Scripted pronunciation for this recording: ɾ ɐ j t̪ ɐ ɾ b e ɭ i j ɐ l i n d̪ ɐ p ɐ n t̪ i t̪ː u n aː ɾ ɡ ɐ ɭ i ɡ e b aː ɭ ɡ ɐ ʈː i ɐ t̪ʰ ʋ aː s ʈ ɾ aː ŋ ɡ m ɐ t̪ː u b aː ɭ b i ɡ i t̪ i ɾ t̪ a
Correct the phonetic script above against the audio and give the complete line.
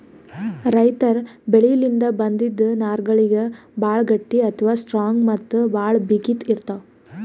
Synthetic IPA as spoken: ɾ ɐ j t̪ ɐ ɾ b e ɭ i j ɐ l i n d̪ ɐ b ɐ n d̪ i d̪ː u n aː ɾ ɡ ɐ ɭ i ɡ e b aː ɭ ɡ ɐ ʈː i ɐ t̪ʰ ʋ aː s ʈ ɾ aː ŋ ɡ m ɐ t̪ː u b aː ɭ b i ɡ i t̪ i ɾ t̪ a